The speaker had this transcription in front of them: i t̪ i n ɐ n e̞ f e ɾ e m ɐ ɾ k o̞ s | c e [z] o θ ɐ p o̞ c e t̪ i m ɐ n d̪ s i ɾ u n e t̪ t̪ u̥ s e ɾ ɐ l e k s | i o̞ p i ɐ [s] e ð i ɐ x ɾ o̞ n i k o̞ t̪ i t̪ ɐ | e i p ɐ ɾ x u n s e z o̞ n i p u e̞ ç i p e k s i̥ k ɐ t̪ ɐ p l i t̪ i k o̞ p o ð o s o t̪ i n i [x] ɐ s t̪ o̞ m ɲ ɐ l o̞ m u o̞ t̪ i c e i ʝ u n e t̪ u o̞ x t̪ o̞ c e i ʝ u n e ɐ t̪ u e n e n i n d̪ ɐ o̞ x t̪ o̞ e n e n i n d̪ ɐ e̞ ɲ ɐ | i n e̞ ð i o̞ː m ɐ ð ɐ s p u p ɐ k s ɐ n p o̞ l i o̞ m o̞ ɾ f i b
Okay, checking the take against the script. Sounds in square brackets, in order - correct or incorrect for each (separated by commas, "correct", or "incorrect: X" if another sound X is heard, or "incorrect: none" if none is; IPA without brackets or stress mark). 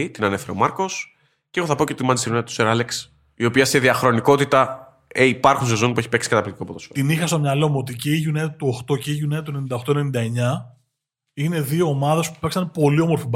incorrect: ɣ, correct, correct